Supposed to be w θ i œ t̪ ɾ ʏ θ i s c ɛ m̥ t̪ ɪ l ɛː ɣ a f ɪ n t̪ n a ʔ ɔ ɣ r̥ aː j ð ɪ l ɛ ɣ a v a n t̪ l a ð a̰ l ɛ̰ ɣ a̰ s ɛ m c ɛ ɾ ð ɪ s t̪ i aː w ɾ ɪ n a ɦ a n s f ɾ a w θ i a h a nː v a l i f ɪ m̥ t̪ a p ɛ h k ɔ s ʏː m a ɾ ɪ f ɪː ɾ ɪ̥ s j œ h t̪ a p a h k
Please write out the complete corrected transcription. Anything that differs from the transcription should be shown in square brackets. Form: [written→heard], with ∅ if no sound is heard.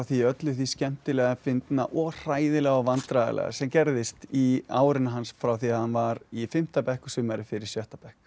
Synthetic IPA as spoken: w θ i œ t̪ [ɾ→l] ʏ θ i s c ɛ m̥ t̪ ɪ l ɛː ɣ a f ɪ n t̪ n a ʔ ɔ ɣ r̥ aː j ð ɪ l ɛ ɣ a v a n t̪ [l→ɾ] a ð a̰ l ɛ̰ ɣ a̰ s ɛ m c ɛ ɾ ð ɪ s t̪ i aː w ɾ ɪ n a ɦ a n s f ɾ a w θ i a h a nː v a [l→ɾ] i f ɪ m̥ t̪ a p ɛ h k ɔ s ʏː m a ɾ ɪ f [ɪː→ɪ] ɾ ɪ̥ s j œ h t̪ a p [a→ɛ] h k

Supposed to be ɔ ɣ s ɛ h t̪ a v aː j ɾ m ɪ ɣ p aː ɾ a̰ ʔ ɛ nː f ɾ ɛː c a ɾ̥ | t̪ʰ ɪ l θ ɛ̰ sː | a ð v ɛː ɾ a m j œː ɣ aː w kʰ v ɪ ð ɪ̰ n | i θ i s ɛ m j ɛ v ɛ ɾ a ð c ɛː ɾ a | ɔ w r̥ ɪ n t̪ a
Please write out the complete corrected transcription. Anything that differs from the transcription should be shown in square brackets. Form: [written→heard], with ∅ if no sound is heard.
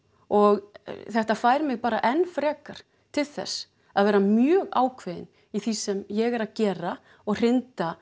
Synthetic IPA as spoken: ɔ ɣ [s→θ] ɛ h t̪ a [v→f] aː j ɾ m ɪ ɣ p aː ɾ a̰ ʔ ɛ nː f ɾ ɛː [c→k] a ɾ̥ | t̪ʰ ɪ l θ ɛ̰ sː | a ð v ɛː ɾ a m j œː ɣ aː w kʰ v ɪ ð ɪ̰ n | i θ i s ɛ m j ɛ [v→ɣ] ɛ ɾ a ð c ɛː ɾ a | ɔ [w→ɣ] r̥ ɪ n t̪ a

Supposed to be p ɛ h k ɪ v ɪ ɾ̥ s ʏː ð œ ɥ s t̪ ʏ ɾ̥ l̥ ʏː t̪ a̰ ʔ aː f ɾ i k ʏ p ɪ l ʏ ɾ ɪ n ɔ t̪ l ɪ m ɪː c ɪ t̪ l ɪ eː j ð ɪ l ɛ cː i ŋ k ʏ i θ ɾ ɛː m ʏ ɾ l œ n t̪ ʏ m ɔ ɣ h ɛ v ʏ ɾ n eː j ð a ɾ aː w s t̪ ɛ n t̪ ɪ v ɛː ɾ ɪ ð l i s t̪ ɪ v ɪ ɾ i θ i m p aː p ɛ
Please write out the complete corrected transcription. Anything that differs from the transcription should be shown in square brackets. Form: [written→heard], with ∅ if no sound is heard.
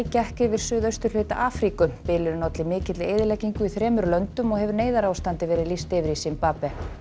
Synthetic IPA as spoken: [p→c] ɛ h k ɪ v ɪ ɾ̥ s ʏː ð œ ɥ s t̪ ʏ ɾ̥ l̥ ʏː t̪ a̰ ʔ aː f ɾ i k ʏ p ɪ l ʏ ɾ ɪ n ɔ t̪ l ɪ m ɪː c ɪ t̪ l ɪ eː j ð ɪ l ɛ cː i ŋ k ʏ i θ ɾ ɛː m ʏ ɾ l œ n t̪ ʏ m ɔ ɣ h ɛ v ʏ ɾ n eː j ð a ɾ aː w s t̪ [ɛ→a] n t̪ ɪ v ɛː ɾ ɪ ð l i s t̪ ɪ v ɪ ɾ i [θ→s] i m p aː p ɛ

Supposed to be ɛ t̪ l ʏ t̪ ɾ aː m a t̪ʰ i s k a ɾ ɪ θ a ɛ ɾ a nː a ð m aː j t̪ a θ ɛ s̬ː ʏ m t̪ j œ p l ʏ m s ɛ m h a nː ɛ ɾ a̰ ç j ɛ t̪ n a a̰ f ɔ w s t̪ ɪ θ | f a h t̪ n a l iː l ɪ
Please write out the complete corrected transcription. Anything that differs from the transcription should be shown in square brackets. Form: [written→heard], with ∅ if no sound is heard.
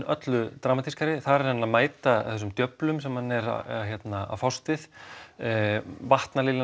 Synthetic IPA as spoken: [ɛ→œ] t̪ l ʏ t̪ ɾ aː m a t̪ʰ i s k a ɾ ɪ θ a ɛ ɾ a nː a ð m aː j t̪ a θ ɛ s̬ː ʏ m t̪ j œ p l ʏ m s ɛ m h a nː ɛ ɾ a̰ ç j ɛ t̪ n a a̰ f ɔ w s t̪ ɪ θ | [f→v] a h t̪ n a l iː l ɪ

